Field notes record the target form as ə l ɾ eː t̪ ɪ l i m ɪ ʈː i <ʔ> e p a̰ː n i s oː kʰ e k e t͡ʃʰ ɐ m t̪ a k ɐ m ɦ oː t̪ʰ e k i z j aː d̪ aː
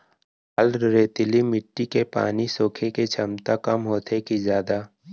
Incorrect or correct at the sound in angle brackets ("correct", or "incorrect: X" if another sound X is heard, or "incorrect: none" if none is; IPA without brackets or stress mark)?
incorrect: k